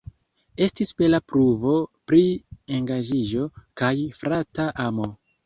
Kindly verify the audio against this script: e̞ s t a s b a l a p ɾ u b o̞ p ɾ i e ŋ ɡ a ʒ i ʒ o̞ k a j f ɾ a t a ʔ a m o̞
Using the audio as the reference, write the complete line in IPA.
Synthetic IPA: e̞ s t i s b e l a p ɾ u v o̞ p ɾ i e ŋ ɡ a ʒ i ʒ o̞ k a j f ɾ a t a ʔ a m o̞